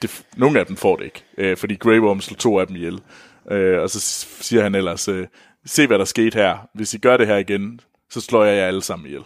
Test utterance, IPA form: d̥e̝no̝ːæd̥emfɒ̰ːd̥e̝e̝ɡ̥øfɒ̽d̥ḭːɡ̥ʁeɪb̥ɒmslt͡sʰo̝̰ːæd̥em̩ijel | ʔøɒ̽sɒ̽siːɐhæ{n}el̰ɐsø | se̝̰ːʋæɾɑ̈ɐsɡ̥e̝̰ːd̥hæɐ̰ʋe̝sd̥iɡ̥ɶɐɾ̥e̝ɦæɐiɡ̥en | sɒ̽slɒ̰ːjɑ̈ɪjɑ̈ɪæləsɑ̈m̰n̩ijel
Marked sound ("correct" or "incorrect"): correct